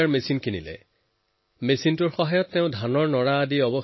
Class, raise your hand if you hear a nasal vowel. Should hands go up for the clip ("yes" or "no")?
yes